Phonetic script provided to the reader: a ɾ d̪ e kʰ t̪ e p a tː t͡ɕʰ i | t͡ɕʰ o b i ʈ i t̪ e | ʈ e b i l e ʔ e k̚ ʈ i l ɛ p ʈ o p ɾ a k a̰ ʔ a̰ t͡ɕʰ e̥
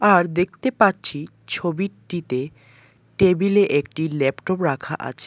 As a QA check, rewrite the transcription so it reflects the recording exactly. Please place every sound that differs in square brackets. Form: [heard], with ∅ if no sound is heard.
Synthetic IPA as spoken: a ɾ d̪ e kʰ t̪ e p a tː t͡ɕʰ i | t͡ɕʰ o b i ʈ i t̪ e | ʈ e b i l e ʔ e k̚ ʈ i l ɛ p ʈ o p ɾ a [kʰ] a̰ ʔ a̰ t͡ɕʰ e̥